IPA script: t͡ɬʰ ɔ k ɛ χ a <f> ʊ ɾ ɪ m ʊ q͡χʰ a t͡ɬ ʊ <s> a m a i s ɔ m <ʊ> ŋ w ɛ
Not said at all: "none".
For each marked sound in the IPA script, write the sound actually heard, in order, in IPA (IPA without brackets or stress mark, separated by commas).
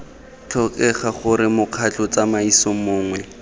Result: χ, t͡s, ʊː